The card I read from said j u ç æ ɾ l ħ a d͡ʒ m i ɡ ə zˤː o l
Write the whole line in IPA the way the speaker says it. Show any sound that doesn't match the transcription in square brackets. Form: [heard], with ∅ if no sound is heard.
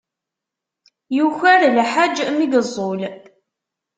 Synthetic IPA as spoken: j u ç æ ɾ l ħ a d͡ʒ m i ɡ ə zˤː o l